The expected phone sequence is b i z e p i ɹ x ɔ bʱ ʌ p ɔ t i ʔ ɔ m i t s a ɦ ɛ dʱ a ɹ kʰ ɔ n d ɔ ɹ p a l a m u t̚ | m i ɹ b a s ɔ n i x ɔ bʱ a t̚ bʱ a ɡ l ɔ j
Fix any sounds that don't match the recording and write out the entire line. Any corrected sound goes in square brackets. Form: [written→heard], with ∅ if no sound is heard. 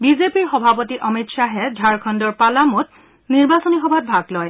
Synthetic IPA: b i z e p i ɹ x ɔ bʱ [ʌ→a] p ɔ t i ʔ ɔ m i t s a ɦ ɛ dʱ a ɹ kʰ ɔ n d ɔ ɹ p a l a m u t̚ | [m→n] i ɹ b a s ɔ n i x ɔ bʱ a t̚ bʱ a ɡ l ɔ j